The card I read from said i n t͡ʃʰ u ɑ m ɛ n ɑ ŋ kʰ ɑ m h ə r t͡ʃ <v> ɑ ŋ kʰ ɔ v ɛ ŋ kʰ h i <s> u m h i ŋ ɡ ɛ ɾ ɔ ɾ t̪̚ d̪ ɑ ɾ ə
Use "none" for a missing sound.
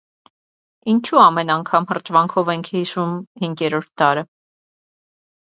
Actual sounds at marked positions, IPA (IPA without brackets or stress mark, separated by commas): v, ʃ